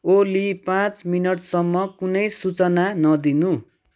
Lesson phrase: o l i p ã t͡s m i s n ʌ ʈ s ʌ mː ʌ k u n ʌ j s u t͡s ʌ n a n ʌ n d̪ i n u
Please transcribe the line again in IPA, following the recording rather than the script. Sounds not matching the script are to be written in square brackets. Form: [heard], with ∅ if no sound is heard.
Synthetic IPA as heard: o l i p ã t͡s m i [∅] n ʌ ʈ s ʌ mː ʌ k u n ʌ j s u t͡s ʌ n a n ʌ [∅] d̪ i n u